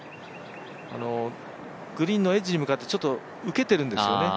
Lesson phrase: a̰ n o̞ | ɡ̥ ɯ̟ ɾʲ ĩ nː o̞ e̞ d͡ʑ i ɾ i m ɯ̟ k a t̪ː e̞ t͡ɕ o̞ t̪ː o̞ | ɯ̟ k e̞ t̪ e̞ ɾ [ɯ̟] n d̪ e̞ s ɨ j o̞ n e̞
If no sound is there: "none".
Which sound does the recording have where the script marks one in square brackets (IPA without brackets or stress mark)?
ɯ̟̃